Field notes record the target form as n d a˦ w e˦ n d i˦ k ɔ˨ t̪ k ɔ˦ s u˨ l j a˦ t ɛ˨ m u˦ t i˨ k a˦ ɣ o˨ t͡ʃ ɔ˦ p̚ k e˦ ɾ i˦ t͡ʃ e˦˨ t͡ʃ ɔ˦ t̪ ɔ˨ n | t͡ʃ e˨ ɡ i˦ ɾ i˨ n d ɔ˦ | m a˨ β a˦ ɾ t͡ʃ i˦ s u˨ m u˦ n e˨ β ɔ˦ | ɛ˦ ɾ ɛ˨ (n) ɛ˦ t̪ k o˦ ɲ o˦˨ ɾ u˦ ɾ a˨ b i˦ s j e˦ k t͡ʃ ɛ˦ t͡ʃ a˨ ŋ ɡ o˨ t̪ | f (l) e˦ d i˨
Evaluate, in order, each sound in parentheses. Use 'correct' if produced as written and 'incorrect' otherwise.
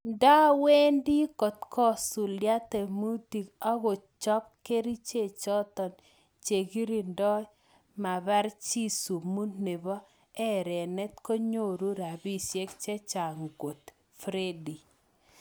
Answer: correct, incorrect

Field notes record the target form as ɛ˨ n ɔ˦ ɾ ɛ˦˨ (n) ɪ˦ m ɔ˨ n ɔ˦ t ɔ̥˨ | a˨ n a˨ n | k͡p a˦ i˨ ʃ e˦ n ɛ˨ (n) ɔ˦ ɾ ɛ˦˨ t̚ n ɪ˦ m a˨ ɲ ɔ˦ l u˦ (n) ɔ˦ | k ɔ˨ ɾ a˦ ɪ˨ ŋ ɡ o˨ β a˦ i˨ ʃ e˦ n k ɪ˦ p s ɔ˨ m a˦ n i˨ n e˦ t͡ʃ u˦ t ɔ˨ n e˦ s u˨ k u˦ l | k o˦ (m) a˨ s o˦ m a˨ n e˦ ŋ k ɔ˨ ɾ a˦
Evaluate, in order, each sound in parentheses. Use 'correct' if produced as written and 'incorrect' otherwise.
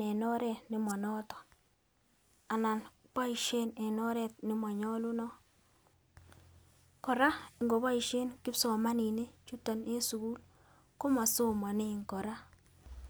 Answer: correct, correct, correct, correct

